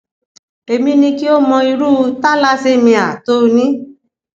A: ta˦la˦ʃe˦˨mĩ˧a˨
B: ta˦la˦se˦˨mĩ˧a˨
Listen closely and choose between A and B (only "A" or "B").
B